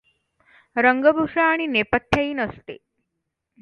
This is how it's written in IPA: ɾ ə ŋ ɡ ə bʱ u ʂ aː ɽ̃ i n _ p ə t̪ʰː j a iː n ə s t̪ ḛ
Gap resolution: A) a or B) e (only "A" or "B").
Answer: B